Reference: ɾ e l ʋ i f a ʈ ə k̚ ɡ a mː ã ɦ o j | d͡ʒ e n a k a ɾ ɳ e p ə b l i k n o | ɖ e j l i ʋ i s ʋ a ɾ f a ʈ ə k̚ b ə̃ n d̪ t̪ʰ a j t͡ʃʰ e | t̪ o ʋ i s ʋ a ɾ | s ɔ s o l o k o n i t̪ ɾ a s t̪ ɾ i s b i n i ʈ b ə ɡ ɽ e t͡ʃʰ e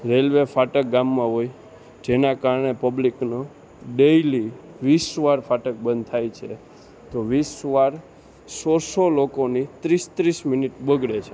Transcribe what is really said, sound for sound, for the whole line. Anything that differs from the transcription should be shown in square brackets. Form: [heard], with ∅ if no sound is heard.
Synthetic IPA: ɾ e l ʋ [e] f a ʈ ə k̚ ɡ a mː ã ɦ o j | d͡ʒ e n a k a ɾ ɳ e p ə b l i k n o | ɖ e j l i ʋ i s ʋ a ɾ f a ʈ ə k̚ b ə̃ n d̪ t̪ʰ a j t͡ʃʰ e | t̪ o ʋ i s ʋ a ɾ | s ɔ s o l o k o n i t̪ ɾ [i] s t̪ ɾ i s [m] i n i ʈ b ə ɡ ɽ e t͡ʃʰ e